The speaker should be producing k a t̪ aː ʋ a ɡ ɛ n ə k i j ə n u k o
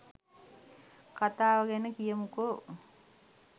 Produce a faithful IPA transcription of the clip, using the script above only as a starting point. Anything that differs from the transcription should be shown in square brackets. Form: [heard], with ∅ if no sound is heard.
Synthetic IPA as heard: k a t̪ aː ʋ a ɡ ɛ n ə k i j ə [m] u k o